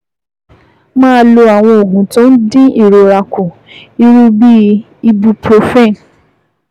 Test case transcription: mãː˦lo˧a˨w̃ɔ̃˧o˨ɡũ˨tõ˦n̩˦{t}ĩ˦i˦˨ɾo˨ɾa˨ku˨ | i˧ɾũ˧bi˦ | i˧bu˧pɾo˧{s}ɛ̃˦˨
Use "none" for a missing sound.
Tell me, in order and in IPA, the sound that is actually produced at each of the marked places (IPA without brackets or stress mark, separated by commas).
d, f